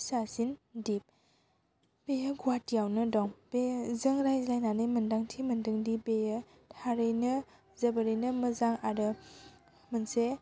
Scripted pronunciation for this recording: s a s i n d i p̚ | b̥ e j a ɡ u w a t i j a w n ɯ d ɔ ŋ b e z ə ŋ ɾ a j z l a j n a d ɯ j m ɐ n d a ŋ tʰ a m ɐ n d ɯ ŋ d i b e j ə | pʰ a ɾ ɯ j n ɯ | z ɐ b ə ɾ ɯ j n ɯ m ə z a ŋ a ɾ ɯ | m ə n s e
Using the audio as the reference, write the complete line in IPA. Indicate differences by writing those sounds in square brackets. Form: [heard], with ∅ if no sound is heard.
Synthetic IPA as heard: s a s i n d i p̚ | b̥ e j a ɡ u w a t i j a w n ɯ d ɔ ŋ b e z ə ŋ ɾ a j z l a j n a [n] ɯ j m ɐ n d a ŋ tʰ [i] m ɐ n d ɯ ŋ d i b e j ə | [tʰ] a ɾ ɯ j n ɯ | z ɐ b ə ɾ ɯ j n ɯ m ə z a ŋ a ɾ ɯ | m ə n s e